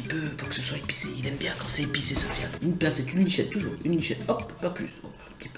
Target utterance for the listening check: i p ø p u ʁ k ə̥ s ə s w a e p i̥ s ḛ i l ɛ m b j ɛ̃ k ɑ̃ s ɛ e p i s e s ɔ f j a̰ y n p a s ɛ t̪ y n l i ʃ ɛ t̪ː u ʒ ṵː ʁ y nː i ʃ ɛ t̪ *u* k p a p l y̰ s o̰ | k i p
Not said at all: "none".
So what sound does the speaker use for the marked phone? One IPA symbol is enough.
ɔ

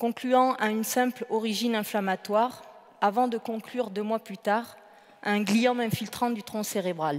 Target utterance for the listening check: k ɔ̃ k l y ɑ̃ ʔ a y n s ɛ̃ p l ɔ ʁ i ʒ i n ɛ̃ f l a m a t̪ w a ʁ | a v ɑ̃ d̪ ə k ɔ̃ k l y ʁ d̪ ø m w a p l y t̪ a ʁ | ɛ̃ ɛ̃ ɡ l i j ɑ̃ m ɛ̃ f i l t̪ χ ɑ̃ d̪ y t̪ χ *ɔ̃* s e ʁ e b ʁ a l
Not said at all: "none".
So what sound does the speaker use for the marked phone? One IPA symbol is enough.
ɔ̃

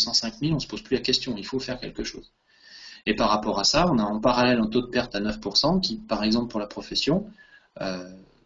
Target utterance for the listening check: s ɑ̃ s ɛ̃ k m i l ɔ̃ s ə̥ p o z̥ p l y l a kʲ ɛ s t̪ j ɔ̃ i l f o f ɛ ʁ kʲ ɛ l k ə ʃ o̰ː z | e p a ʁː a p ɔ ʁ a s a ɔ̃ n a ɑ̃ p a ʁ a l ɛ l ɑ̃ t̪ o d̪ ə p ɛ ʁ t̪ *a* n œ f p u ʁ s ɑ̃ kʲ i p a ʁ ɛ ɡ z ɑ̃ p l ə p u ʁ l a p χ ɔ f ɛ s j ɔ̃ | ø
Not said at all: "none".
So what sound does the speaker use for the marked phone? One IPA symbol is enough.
a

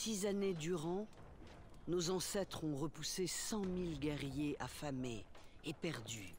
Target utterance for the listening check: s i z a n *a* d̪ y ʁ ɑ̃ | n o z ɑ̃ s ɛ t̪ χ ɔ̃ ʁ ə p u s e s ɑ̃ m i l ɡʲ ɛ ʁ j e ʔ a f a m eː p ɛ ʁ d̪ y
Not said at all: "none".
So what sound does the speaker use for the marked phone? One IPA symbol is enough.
e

